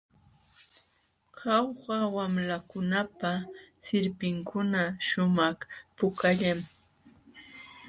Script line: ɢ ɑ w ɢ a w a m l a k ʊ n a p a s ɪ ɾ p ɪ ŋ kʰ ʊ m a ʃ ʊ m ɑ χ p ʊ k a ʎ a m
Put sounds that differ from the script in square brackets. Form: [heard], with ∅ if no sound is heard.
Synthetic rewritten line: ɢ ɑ w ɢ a w a m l a k ʊ n a p a s ɪ ɾ p ɪ ŋ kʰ ʊ [n] a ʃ ʊ m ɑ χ p ʊ k a ʎ a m